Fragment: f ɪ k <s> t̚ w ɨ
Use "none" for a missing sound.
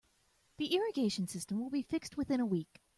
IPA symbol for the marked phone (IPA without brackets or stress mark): s